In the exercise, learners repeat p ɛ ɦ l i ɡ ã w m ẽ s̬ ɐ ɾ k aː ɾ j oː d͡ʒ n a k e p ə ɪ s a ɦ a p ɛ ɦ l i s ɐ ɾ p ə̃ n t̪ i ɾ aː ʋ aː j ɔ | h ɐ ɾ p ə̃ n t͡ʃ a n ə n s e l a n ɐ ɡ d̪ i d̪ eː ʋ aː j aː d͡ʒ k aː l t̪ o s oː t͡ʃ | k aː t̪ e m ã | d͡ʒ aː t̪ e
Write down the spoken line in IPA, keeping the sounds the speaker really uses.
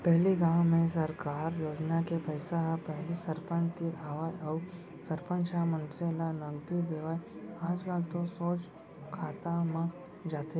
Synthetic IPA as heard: p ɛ ɦ l i ɡ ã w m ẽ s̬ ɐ ɾ k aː ɾ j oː d͡ʒ n a k e p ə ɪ s a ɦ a p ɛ ɦ l i s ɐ ɾ p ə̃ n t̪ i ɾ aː ʋ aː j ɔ | s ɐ ɾ p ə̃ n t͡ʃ a m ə n s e l a n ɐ ɡ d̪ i d̪ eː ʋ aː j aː d͡ʒ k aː l t̪ o s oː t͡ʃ | kʰ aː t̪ a m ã | d͡ʒ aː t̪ e

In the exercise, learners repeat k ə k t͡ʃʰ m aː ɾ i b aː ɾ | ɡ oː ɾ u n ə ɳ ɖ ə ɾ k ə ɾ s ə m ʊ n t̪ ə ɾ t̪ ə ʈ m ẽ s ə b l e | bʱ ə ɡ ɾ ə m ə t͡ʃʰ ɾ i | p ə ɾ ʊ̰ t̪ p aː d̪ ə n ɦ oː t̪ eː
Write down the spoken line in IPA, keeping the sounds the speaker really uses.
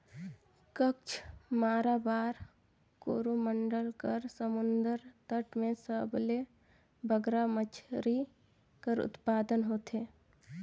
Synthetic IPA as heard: k ə k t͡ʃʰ m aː ɾ a b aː ɾ | k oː ɾ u m ə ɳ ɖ ə l k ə ɾ s ə m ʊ n d̪ ə ɾ t̪ ə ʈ m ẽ s ə b l e | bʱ ə ɡ ɾ a m ə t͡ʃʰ ɾ i | k ə ɾ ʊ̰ t̪ p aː d̪ ə n ɦ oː t̪ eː

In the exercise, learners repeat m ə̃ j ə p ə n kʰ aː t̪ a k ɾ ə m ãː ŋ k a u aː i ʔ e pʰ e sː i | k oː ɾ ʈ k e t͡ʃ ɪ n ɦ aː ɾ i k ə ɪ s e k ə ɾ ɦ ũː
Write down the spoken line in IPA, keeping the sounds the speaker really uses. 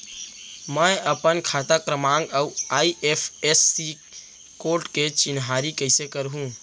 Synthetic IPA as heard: m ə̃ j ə p ə n kʰ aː t̪ a k ɾ ə m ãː ŋ ɡ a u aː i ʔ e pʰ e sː i | k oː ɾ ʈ k e t͡ʃ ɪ n ɦ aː ɾ i k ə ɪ s e k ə ɾ ɦ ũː

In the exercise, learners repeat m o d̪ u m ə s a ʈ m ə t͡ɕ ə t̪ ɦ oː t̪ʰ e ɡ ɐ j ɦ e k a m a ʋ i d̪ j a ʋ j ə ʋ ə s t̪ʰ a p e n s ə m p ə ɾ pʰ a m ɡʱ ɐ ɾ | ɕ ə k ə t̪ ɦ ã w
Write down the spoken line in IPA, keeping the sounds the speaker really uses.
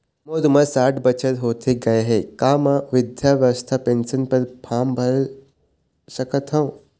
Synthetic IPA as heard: m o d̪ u m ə s a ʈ b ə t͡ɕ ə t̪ ɦ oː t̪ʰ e ɡ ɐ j ɦ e k a m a ʋ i d̪ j a ʋ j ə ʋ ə s t̪ʰ a p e n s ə n p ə ɾ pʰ a m bʱ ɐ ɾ | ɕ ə k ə t̪ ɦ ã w

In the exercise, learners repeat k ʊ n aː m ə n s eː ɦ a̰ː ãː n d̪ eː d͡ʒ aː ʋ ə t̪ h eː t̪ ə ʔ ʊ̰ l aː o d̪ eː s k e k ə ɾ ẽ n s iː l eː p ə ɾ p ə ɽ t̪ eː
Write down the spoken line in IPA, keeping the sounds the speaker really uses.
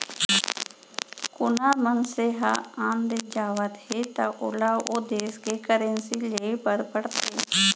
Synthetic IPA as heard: k ʊ n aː m ə n s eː ɦ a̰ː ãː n d̪ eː d͡ʒ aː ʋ ə t̪ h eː t̪ a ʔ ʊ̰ l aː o d̪ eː s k e k ə ɾ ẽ n s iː l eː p ə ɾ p ə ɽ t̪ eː

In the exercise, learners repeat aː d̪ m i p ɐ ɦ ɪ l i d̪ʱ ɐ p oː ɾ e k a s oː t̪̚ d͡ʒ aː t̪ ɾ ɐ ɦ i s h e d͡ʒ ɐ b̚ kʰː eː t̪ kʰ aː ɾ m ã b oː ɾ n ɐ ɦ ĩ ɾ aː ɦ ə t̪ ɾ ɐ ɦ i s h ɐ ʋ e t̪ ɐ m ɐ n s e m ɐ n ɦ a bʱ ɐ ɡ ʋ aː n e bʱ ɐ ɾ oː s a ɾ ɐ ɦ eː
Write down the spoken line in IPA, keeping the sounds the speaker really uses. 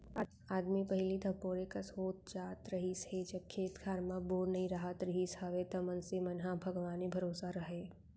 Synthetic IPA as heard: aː d̪ m i p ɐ ɦ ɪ l i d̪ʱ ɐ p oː ɾ e k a s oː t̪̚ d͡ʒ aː t̪ ɾ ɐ ɦ i s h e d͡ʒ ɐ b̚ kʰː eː t̪ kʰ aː ɾ m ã b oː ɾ n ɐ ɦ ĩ ɾ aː ɦ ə t̪ ɾ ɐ ɦ i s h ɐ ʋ e t̪ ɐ m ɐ n s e m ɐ n ɦ a bʱ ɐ ɡ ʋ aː n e bʱ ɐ ɾ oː s a ɾ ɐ ɦ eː

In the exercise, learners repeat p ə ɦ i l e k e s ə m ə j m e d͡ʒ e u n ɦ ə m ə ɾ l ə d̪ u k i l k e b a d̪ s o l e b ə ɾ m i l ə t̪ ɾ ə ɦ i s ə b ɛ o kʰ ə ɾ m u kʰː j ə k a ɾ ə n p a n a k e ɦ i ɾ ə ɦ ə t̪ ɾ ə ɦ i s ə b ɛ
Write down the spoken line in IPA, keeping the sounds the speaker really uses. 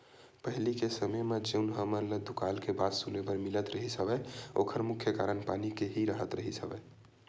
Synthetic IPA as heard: p ə ɦ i l i k e s ə m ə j m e d͡ʒ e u n ɦ ə m ə ɾ l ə d̪ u k a l k e b a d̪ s u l e b ə ɾ m i l ə t̪ ɾ ə ɦ i s ə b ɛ o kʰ ə ɾ m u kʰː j ə k a ɾ ə n p a n i k e ɦ i ɾ ə ɦ ə t̪ ɾ ə ɦ i s ə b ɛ

